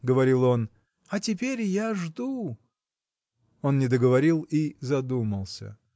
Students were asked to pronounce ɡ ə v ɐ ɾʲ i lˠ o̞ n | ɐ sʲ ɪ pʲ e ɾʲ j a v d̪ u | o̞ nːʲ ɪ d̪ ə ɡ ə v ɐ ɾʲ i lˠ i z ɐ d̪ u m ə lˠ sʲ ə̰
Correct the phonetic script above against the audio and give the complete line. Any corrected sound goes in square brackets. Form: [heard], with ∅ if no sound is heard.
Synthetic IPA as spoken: ɡ ə v ɐ ɾʲ i lˠ o̞ n | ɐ [tʲ] ɪ pʲ e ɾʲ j a [ʐ] d̪ u | o̞ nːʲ ɪ d̪ ə ɡ ə v ɐ ɾʲ i lˠ i z ɐ d̪ u m ə lˠ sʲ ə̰